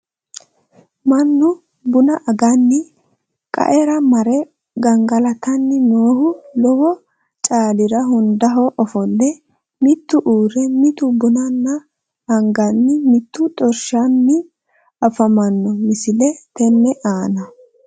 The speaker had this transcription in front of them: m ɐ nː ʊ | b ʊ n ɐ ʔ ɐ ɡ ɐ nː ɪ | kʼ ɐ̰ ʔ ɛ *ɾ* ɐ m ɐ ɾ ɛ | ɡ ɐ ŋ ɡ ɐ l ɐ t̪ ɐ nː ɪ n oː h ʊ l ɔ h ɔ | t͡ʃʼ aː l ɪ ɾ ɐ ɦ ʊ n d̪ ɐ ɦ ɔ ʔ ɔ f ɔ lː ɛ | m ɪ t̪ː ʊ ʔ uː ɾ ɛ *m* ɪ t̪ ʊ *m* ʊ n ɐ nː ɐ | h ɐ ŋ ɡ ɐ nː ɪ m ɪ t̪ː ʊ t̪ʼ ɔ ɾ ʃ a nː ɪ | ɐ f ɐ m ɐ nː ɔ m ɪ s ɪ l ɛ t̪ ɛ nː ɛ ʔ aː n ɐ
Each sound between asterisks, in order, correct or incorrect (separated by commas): correct, correct, incorrect